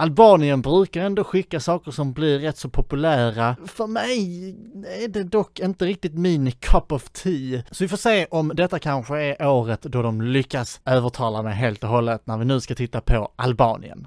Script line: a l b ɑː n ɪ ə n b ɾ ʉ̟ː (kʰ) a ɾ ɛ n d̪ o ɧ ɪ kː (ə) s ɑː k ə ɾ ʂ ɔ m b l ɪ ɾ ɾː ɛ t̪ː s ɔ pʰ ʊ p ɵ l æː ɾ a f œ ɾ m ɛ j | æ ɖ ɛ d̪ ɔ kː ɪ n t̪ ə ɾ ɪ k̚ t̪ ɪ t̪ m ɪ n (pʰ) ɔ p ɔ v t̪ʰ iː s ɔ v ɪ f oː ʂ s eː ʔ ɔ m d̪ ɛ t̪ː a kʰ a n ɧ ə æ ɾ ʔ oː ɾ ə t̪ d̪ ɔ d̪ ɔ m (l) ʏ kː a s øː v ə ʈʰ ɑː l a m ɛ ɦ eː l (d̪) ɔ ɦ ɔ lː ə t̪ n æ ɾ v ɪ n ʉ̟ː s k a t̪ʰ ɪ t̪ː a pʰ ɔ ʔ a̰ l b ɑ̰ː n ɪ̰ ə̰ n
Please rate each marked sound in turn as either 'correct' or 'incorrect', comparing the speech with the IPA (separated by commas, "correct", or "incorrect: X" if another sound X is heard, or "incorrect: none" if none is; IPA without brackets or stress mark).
incorrect: k, incorrect: a, incorrect: kʰ, correct, incorrect: t̪